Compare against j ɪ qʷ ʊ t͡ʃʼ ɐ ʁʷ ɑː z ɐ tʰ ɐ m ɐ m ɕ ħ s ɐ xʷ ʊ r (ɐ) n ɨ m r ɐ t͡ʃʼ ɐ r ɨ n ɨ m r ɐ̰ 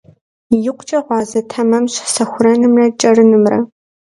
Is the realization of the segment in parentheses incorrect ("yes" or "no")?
no